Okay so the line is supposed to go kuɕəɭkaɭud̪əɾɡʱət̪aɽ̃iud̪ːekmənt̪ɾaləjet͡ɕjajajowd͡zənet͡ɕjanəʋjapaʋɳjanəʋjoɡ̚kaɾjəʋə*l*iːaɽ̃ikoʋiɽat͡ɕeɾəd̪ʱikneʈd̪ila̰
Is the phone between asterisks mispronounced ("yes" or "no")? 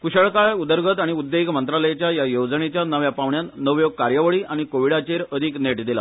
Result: yes